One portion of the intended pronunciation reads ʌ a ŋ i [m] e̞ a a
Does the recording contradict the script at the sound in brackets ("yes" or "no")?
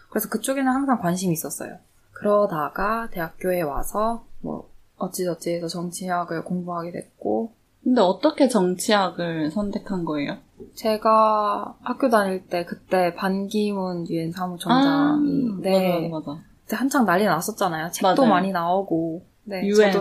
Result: yes